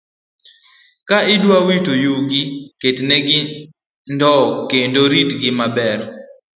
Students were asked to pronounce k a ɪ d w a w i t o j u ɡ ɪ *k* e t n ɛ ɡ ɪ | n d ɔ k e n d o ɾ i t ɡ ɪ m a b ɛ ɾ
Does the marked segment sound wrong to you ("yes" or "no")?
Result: no